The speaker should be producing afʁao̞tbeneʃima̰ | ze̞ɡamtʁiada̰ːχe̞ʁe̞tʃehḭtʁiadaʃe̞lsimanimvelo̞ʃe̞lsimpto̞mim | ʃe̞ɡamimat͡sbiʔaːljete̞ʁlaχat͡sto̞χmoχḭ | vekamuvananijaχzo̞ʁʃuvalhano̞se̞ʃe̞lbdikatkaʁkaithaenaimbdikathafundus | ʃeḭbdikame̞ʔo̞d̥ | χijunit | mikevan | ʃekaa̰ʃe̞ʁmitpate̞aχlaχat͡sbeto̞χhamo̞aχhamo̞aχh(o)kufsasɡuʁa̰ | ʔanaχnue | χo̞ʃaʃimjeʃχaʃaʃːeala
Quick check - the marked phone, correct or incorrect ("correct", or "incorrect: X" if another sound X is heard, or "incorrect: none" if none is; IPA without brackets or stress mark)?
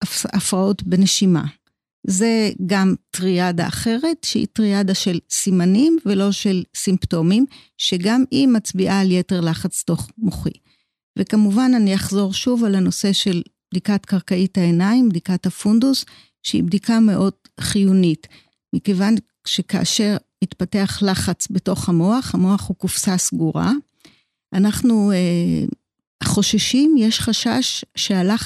incorrect: u